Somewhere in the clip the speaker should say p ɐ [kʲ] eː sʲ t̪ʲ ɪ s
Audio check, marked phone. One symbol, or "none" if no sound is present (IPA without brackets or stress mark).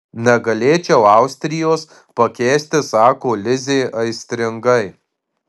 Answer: kʲ